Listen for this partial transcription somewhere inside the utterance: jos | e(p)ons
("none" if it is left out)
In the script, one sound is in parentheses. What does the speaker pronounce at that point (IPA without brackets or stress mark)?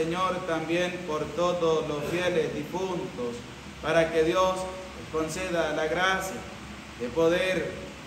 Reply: k